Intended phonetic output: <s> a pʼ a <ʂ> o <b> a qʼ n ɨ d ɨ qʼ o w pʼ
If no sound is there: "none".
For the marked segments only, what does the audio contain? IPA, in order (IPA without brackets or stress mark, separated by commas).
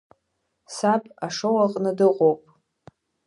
s, ʂ, w